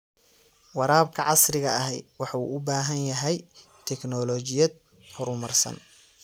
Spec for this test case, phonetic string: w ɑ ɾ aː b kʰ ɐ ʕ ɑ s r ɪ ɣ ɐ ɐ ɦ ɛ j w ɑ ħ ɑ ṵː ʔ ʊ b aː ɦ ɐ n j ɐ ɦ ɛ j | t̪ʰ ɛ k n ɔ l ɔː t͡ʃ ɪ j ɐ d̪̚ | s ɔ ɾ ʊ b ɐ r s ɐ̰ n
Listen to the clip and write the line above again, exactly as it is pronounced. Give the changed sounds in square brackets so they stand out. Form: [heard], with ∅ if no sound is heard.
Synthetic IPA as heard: w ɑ ɾ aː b kʰ ɐ ʕ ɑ s r ɪ ɣ ɐ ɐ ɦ ɛ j w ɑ ħ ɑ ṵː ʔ ʊ b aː ɦ ɐ n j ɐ ɦ ɛ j | t̪ʰ ɛ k n ɔ l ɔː t͡ʃ ɪ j ɐ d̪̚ | [h] ɔ ɾ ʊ [m] ɐ r s ɐ̰ n